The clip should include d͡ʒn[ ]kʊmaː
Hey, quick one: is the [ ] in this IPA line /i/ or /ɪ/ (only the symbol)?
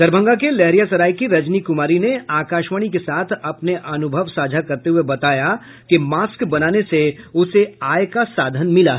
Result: i